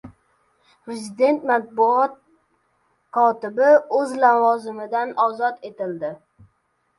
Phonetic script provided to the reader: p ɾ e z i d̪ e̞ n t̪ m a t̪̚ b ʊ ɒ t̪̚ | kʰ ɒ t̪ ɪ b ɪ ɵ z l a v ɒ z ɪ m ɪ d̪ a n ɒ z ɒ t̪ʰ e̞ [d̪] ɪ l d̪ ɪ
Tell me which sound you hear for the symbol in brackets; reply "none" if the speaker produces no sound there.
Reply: t̪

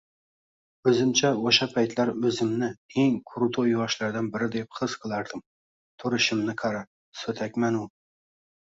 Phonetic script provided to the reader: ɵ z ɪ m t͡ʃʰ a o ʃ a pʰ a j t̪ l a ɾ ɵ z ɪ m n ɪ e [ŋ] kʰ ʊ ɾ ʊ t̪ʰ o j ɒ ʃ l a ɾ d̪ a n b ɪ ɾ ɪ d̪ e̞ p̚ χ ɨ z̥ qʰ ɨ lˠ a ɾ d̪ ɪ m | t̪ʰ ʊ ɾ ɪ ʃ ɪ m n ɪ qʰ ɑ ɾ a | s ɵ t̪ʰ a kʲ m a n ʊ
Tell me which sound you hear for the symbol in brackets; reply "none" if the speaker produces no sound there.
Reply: ŋ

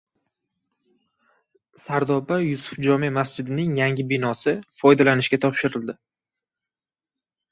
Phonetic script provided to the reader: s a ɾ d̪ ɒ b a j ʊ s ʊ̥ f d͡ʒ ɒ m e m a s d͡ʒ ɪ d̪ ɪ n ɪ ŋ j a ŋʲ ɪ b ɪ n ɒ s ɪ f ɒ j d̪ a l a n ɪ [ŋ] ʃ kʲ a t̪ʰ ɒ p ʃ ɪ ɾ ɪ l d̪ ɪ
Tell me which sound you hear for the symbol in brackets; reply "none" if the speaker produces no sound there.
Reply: none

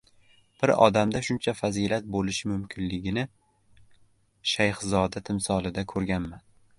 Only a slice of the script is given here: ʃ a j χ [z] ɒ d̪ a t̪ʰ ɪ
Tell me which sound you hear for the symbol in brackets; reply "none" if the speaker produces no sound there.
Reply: z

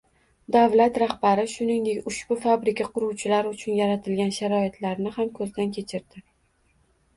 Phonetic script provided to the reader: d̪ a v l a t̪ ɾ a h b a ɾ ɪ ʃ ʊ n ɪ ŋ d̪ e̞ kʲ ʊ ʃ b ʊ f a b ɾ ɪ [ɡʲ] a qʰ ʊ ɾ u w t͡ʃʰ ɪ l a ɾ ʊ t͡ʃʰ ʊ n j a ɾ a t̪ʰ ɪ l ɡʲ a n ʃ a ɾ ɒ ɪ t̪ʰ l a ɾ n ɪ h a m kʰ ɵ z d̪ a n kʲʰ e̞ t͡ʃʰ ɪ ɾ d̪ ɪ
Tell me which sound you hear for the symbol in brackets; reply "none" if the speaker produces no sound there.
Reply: kʲ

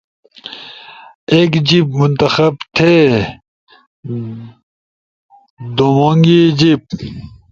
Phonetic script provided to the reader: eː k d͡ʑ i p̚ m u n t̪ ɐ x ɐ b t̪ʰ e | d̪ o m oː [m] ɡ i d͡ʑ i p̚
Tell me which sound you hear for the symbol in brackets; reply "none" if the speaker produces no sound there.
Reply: ŋ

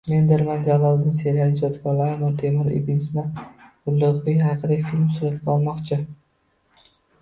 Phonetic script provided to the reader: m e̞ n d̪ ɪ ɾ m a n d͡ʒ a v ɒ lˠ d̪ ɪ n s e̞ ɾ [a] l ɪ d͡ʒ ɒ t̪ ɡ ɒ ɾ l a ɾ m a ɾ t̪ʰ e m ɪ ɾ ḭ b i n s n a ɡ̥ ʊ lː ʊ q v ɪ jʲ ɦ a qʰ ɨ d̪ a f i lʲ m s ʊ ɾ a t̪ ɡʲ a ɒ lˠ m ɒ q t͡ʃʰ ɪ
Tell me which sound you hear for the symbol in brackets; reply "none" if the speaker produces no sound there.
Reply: a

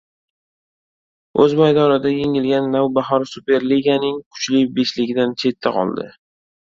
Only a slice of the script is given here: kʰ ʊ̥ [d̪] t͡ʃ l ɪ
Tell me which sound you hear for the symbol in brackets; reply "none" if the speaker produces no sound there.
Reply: none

